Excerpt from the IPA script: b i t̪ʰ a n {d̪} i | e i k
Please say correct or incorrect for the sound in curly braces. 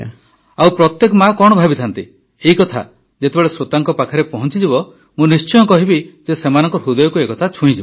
incorrect